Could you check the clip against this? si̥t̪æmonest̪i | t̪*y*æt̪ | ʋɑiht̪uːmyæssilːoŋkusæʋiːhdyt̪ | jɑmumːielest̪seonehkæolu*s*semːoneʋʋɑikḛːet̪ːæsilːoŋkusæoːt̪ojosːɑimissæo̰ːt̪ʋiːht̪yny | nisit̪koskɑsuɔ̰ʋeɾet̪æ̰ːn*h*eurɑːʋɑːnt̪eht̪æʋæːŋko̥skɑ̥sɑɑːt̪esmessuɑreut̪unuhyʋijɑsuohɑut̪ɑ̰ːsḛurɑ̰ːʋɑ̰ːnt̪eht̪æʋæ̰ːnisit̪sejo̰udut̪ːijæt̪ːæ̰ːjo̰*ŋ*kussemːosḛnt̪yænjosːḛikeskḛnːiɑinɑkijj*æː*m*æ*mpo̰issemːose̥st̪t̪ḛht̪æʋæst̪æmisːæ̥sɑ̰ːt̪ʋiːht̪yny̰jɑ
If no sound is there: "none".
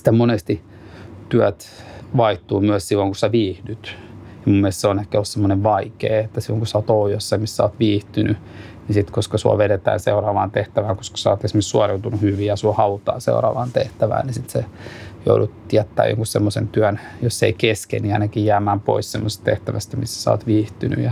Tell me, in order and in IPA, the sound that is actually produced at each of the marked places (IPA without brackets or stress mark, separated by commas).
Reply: y, s, s, ŋ, æː, æː